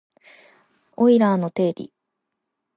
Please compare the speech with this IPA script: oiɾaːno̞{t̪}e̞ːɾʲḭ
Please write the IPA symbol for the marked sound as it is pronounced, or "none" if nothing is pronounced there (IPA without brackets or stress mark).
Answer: t̪